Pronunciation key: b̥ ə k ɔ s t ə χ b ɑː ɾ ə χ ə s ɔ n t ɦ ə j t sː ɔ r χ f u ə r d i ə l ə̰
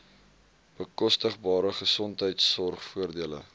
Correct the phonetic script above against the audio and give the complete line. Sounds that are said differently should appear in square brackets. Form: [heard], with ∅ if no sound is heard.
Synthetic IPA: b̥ ə k ɔ s t ə χ b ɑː ɾ ə χ ə s ɔ n t ɦ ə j t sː ɔ r χ f u ə r d i ə l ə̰